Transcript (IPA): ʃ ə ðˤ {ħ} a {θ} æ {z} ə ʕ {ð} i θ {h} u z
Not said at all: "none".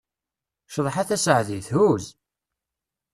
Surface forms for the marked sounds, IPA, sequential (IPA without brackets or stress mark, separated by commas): ħ, θ, s, ð, h